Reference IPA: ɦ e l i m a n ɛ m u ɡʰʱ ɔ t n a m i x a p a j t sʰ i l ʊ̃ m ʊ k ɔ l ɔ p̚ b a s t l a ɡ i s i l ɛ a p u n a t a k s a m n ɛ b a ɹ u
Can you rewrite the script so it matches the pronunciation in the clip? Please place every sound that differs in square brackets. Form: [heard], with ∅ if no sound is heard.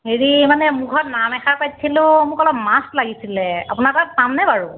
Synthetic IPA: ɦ e [ɹ] i m a n ɛ m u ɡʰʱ ɔ t n a m [ɛ] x a p a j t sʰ i l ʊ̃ m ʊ k ɔ l ɔ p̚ [m] a s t l a ɡ i s i l ɛ a p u n a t a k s a m n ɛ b a ɹ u